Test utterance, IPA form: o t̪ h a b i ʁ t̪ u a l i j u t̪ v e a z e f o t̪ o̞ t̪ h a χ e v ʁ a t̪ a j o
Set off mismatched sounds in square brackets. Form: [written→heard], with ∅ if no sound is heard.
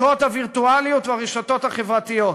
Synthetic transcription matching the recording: o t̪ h a [b→v] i ʁ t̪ u a l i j u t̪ v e a [z→ʁ] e [f→ʃ] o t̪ o̞ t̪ h a χ e v ʁ a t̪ [a→i] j o